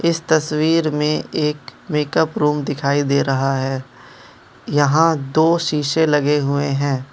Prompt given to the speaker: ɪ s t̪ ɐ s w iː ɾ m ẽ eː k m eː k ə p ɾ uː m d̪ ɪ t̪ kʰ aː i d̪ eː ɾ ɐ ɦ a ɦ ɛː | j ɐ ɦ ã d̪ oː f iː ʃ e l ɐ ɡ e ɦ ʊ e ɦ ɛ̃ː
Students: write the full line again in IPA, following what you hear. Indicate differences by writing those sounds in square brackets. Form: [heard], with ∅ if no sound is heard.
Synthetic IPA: ɪ s t̪ ɐ s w iː ɾ m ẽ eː k m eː k ə p ɾ uː m d̪ ɪ [∅] kʰ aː i d̪ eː ɾ ɐ ɦ a ɦ ɛː | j ɐ ɦ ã d̪ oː [ʃ] iː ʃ e l ɐ ɡ e ɦ ʊ e ɦ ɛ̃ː